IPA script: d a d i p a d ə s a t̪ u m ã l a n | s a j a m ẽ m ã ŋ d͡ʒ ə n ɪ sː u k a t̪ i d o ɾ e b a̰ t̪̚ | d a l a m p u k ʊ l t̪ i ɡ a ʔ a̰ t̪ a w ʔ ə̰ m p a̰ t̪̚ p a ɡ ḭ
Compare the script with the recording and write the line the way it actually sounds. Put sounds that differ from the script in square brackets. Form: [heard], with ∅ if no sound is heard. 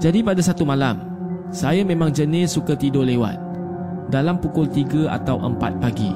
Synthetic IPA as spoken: [d͡ʒ] a d i p a d [a] s a t̪ u m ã l a [m] | s a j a m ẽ m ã ŋ d͡ʒ ə n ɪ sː u k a t̪ i d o [l] e [w] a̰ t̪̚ | d a l a m p u k ʊ l t̪ i ɡ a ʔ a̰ t̪ a w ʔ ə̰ m p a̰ t̪̚ p a ɡ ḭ